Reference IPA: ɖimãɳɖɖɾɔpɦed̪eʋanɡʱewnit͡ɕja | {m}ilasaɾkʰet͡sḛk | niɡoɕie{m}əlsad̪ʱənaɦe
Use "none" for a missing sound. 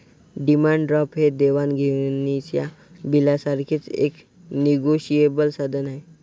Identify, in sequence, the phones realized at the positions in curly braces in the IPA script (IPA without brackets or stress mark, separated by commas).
b, b